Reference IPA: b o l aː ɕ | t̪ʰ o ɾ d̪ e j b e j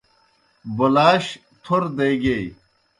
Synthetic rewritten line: b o l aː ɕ | t̪ʰ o ɾ d̪ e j ɡ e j